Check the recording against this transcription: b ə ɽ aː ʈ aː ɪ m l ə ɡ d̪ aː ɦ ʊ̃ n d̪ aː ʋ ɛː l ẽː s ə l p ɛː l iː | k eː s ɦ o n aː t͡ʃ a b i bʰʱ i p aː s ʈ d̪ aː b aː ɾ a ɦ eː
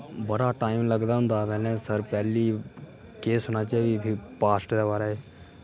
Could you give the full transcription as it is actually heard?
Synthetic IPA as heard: b ə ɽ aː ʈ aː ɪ m l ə ɡ d̪ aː ɦ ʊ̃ n d̪ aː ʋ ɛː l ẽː s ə ɾ p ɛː l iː | k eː s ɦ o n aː t͡ʃ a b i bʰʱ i p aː s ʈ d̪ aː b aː ɾ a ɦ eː